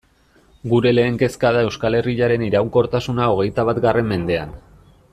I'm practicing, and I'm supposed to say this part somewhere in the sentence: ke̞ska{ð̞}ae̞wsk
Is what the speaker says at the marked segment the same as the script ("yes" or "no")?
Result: yes